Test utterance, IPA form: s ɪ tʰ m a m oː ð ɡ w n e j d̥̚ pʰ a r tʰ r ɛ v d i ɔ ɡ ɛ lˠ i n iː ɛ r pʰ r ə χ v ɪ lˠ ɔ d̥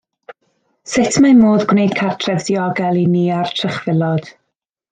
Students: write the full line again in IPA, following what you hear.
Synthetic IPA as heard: s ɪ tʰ m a m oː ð ɡ w n e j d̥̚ kʰ a r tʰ r ɛ v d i ɔ ɡ ɛ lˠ i n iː a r tʰ r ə χ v ɪ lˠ ɔ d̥

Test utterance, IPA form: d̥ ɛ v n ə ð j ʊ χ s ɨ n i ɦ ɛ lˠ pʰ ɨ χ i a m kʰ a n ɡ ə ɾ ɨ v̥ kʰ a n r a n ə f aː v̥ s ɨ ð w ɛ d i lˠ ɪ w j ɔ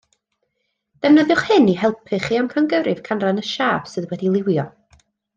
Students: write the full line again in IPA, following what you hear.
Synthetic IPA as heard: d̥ ɛ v n ə ð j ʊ χ h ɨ n i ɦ ɛ lˠ pʰ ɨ χ i a m kʰ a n ɡ ə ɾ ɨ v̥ kʰ a n r a n ə ʃ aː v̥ s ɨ ð w ɛ d i lˠ ɪ w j ɔ

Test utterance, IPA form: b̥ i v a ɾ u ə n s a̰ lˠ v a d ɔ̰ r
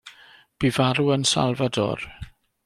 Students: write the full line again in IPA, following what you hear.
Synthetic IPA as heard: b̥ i v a ɾ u ə n s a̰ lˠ v a d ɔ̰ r

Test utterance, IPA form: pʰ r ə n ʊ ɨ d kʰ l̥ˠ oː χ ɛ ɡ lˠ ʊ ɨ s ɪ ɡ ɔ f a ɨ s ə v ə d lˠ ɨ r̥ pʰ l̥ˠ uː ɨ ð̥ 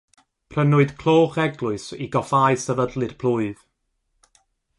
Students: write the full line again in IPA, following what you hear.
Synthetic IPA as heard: pʰ r ə n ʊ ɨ d kʰ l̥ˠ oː χ ɛ ɡ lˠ ʊ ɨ s i ɡ ɔ f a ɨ s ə v ə d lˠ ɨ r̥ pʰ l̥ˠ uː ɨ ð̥

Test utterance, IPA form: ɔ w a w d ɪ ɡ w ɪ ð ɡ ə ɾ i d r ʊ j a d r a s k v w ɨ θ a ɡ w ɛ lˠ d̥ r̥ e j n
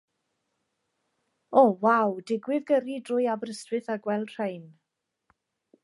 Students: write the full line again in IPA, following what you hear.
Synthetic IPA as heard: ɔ w a w d ɪ ɡ w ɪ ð ɡ ə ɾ i d r ʊ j a b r ə s t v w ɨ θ a ɡ w ɛ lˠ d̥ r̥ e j n

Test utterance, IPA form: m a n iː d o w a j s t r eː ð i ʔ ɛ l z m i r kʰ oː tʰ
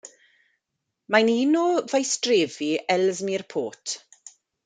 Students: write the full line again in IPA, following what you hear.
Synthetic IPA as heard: m a n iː n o v a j s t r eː v i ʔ ɛ l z m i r pʰ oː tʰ

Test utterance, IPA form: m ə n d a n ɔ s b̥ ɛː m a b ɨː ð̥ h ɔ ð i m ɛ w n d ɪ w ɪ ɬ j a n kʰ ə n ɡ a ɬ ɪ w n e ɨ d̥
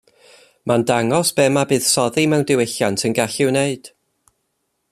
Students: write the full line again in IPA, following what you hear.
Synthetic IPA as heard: m a n d a ŋ ɔ s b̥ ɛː m a b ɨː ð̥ s ɔ ð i m ɛ w n d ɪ w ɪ ɬ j a n tʰ ə n ɡ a ɬ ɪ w n e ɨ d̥

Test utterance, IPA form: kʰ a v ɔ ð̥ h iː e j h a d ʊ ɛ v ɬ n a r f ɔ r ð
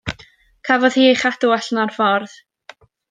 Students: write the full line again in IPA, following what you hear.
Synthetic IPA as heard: kʰ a v ɔ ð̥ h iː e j χ a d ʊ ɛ ɬ n a r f ɔ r ð

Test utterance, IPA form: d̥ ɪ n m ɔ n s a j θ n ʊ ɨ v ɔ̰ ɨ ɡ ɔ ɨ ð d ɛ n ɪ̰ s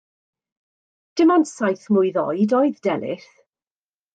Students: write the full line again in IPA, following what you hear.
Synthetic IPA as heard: d̥ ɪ m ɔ n s a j θ m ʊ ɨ ð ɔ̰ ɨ d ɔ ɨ ð d ɛ n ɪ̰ θ

